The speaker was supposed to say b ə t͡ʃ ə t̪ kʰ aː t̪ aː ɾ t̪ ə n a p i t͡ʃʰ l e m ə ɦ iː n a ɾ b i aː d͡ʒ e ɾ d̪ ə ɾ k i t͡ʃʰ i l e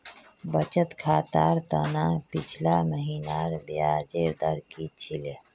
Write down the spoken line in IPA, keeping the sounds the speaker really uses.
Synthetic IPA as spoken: b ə t͡ʃ ə t̪ kʰ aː t̪ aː ɾ t̪ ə n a p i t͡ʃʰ l a m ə ɦ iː n a ɾ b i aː d͡ʒ e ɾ d̪ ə ɾ k i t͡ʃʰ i l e